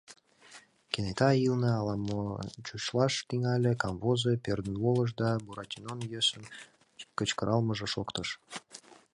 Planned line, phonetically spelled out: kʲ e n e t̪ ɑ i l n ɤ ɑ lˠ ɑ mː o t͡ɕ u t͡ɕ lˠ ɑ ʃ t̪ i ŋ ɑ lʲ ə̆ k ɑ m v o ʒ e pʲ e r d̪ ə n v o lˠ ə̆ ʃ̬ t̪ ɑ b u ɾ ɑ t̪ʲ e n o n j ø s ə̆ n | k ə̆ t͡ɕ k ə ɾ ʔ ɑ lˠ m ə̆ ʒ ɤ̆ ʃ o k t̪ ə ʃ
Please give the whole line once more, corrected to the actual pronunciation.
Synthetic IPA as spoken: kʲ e n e t̪ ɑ i l n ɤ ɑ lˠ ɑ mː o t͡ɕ u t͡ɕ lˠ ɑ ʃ t̪ i ŋ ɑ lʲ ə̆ k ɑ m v o z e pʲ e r d̪ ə n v o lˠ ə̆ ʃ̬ d̪ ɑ b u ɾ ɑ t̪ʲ i n o n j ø s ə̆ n | k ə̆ t͡ɕ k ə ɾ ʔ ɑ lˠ m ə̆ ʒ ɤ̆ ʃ o k t̪ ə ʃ